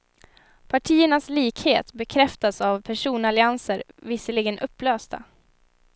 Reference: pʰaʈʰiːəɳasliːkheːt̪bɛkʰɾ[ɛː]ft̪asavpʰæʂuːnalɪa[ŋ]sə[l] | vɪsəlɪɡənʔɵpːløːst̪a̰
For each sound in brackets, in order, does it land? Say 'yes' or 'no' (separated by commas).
no, no, no